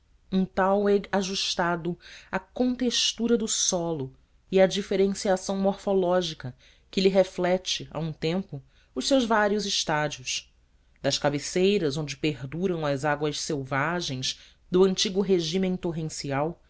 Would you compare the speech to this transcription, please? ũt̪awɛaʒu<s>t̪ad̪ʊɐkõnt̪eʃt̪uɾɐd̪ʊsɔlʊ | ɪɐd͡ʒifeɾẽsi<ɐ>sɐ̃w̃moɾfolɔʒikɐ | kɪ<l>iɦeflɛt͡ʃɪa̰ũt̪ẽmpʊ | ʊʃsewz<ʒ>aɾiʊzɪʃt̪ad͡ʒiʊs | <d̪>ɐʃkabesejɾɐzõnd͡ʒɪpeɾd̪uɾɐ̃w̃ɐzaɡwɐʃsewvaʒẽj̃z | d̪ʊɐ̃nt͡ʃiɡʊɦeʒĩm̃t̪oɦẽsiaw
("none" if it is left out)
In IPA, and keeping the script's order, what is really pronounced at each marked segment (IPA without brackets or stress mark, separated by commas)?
ʃ, a, l, v, d̪